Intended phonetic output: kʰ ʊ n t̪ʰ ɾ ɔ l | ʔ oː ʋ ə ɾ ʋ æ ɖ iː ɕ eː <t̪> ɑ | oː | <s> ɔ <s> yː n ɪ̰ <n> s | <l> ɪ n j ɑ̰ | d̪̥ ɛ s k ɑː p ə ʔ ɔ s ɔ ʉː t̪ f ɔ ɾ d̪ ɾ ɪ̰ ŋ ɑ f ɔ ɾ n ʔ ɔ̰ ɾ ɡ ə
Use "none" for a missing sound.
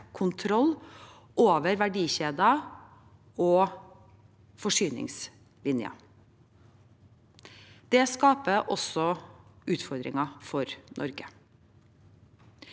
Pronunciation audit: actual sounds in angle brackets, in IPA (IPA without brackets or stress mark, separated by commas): d̪, f, ʂ, ŋ, l